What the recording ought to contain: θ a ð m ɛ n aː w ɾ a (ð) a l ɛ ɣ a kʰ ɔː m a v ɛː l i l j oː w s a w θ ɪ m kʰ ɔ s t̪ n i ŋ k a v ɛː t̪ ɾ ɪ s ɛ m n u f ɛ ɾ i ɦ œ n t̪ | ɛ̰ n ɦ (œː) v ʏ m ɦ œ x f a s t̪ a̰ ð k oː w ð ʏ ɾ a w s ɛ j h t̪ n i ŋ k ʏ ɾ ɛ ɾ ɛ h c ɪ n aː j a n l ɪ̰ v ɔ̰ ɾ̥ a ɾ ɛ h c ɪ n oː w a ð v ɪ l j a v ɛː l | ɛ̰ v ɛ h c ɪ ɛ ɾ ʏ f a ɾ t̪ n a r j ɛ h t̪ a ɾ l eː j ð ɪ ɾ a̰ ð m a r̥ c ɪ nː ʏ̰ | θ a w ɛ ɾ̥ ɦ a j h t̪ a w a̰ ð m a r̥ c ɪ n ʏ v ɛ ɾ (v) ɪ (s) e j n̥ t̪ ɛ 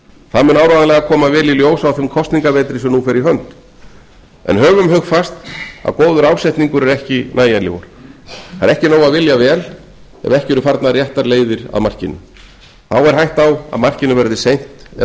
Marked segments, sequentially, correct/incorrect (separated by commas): correct, correct, incorrect, correct